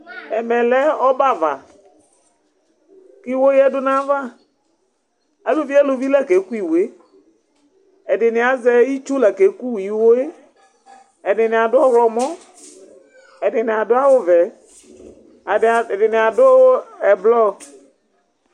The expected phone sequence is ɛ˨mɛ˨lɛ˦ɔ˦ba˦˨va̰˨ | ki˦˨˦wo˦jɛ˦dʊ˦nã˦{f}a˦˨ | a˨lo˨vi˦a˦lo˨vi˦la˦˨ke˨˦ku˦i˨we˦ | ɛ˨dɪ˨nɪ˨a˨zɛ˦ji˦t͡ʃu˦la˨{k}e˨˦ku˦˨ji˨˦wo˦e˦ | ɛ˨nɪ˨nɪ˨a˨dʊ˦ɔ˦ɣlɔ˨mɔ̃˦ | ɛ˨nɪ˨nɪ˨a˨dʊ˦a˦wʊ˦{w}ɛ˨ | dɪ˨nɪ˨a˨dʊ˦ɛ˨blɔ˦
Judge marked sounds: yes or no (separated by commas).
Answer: no, yes, no